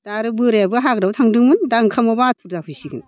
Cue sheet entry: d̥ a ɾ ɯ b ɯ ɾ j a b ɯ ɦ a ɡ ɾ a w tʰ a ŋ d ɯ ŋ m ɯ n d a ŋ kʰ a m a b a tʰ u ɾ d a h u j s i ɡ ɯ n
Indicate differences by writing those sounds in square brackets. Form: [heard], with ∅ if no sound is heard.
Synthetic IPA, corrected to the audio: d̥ a ɾ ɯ b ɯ ɾ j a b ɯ ɦ a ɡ ɾ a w tʰ a ŋ d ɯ ŋ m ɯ n d a ŋ kʰ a m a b a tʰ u ɾ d a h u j s i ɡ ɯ n